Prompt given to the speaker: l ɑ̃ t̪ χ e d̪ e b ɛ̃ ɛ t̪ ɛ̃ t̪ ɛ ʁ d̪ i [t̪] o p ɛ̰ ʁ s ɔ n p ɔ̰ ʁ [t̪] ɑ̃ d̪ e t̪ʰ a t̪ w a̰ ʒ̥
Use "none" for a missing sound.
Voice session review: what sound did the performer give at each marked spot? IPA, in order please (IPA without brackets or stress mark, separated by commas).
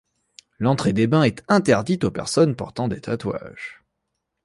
t̪, t̪